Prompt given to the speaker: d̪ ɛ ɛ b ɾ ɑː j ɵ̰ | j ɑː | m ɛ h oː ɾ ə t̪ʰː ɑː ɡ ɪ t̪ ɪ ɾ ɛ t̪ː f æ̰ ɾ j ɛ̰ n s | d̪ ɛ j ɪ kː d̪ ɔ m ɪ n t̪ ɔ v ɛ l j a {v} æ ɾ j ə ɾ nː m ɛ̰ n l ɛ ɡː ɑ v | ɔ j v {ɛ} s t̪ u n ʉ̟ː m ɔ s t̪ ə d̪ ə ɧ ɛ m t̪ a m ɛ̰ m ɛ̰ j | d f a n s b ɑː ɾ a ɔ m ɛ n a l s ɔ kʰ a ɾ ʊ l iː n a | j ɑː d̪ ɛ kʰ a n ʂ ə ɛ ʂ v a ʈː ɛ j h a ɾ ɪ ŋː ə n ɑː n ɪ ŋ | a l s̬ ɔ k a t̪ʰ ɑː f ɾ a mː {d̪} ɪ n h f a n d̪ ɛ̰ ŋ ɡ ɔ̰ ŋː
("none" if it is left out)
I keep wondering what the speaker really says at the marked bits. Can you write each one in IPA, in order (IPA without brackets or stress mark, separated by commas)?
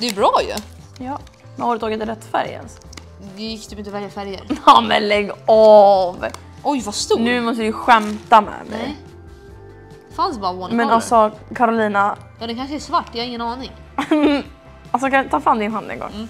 f, a, d̪